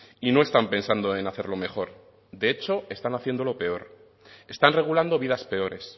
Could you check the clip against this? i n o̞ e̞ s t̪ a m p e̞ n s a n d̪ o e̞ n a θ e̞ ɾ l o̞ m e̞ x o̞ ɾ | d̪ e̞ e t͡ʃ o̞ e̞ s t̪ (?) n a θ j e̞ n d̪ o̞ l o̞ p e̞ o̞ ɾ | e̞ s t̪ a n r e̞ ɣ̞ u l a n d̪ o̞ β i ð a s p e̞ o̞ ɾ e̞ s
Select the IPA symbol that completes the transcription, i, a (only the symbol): a